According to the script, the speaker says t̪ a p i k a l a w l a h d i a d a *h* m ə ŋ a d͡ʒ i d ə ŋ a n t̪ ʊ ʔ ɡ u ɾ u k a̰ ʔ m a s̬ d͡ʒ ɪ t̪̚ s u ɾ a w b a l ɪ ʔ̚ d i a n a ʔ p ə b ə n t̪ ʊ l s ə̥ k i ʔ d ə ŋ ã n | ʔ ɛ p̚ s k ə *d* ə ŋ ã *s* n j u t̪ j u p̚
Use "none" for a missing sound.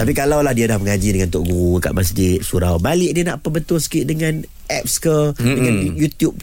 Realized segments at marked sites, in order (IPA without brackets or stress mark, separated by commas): h, d, none